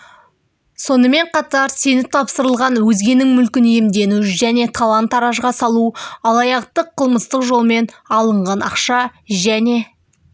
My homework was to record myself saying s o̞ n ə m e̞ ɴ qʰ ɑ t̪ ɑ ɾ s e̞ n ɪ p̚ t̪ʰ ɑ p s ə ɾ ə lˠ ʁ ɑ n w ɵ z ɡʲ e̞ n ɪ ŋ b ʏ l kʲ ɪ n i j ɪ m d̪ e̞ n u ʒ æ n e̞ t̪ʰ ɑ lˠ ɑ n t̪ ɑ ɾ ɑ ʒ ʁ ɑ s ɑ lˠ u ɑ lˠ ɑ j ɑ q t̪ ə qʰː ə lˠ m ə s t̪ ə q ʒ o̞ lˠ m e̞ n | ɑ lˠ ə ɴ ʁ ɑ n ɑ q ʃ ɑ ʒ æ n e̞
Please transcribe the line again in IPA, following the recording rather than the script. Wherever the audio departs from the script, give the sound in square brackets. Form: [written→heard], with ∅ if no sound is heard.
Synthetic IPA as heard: s o̞ n ə m e̞ ɴ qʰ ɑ t̪ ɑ ɾ s e̞ n ɪ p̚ t̪ʰ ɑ p s ə ɾ ə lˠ ʁ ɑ n w ɵ z ɡʲ e̞ n ɪ ŋ [b→m] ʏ l kʲ ɪ n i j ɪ m d̪ e̞ n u ʒ æ n e̞ t̪ʰ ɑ lˠ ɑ n t̪ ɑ ɾ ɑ ʒ ʁ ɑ s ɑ lˠ u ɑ lˠ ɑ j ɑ q t̪ ə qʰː ə lˠ m ə s t̪ ə q ʒ o̞ lˠ m e̞ n | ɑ lˠ ə ɴ ʁ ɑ n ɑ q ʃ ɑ ʒ æ n e̞